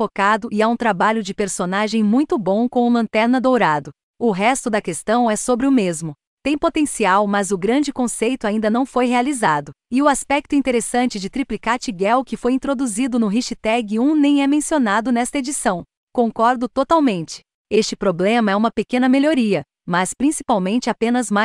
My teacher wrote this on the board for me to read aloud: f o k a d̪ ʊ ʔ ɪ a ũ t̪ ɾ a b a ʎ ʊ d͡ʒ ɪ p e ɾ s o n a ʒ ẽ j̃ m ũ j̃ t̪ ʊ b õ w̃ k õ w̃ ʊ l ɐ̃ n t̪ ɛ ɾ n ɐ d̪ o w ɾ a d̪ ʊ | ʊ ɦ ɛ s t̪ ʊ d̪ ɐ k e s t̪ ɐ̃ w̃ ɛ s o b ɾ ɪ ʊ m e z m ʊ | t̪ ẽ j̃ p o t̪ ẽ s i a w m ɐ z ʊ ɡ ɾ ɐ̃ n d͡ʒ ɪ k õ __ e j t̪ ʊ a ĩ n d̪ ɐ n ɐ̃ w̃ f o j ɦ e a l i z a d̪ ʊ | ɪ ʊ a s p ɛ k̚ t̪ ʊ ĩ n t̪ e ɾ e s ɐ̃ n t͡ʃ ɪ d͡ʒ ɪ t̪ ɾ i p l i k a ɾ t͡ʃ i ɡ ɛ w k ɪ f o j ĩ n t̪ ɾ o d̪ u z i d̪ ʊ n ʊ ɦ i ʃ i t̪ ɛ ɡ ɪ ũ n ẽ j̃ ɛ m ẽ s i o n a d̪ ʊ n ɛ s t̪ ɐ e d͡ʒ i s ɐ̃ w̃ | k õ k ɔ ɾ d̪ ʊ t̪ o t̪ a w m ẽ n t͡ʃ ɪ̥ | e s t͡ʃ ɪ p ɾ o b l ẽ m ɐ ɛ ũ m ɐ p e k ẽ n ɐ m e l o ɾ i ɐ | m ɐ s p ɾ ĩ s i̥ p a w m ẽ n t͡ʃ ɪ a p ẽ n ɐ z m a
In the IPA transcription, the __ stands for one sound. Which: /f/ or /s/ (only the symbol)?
s